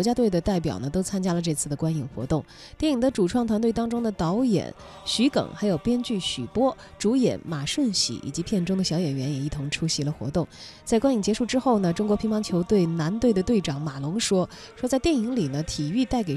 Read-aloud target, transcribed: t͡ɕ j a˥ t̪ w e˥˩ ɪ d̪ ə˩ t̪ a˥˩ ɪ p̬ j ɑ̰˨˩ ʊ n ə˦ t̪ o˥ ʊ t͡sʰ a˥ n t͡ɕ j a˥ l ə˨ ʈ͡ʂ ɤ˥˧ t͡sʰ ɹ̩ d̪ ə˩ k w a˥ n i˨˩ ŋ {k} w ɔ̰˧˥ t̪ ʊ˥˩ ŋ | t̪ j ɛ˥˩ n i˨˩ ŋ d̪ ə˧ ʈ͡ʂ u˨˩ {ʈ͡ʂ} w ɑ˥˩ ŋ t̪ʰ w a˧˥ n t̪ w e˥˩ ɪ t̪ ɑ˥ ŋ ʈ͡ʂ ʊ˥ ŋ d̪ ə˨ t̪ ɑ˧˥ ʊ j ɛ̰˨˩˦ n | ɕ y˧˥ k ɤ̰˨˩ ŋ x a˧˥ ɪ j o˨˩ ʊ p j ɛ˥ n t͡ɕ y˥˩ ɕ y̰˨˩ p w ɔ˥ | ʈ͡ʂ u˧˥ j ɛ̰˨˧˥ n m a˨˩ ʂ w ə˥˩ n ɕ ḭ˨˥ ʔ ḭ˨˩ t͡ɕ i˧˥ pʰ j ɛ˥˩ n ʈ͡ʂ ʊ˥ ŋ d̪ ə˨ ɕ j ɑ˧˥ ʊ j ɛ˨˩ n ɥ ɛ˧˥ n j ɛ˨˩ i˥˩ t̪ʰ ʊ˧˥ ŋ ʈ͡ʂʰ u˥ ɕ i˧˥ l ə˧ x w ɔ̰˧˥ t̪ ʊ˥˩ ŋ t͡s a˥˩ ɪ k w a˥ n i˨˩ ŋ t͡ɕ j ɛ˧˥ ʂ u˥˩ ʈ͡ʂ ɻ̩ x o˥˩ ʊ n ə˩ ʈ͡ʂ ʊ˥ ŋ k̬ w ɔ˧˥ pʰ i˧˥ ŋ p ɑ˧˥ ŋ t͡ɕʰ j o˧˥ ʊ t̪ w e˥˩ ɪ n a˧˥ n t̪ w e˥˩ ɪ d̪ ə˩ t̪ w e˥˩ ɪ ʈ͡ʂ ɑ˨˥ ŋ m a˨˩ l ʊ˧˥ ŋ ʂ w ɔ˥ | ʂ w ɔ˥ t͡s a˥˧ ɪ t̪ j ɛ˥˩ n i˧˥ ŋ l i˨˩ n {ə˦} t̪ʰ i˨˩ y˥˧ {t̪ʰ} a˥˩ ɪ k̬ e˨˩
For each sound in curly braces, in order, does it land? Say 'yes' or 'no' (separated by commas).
no, no, yes, no